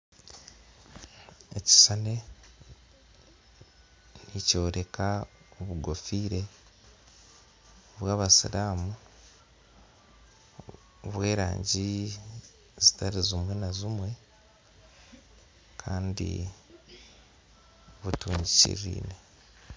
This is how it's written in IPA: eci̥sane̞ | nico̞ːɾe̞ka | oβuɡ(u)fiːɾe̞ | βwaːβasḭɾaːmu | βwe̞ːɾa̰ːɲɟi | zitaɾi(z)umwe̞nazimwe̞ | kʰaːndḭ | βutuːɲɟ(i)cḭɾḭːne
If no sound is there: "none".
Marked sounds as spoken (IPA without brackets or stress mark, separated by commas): o, z, i